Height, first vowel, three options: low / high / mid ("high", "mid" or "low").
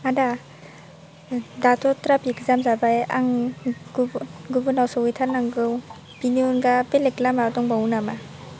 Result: low